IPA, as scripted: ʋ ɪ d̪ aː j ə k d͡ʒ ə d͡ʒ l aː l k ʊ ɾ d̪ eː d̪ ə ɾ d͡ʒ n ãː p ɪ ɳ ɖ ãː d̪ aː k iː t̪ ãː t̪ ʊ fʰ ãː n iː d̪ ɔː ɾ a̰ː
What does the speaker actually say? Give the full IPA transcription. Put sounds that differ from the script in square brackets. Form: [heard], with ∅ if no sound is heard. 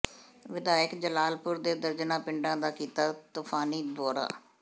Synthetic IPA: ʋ ɪ d̪ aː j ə k d͡ʒ ə [∅] l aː l [p] ʊ ɾ d̪ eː d̪ ə ɾ d͡ʒ n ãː p ɪ ɳ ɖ ãː d̪ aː k iː t̪ [aː] t̪ ʊ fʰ [aː] n iː d̪ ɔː ɾ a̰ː